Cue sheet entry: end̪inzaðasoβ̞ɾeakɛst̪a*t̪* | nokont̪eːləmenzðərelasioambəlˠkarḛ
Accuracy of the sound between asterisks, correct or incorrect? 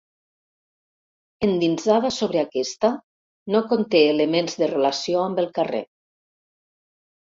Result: incorrect: none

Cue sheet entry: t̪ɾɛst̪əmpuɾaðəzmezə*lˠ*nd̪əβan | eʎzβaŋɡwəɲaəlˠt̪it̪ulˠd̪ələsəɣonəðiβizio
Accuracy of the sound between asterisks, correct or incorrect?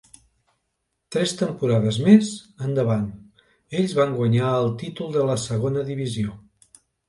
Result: incorrect: none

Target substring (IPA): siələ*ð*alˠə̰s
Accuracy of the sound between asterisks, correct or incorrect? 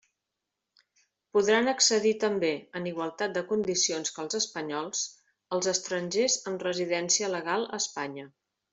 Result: incorrect: ɣ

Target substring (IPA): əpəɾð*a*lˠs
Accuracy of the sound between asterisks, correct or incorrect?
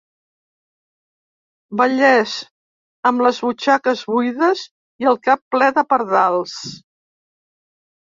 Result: correct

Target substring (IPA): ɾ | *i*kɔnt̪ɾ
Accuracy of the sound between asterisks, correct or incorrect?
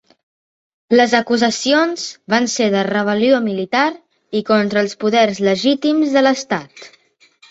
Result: correct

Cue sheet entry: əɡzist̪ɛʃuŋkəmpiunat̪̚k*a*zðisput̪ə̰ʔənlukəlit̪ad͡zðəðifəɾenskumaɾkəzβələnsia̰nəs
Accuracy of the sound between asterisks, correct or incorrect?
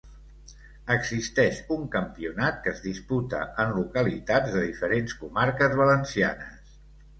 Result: incorrect: ə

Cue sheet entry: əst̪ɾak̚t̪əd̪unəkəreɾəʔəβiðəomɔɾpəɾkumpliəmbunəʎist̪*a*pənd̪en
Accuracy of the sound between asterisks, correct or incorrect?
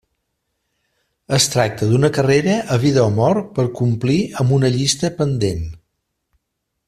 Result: incorrect: ə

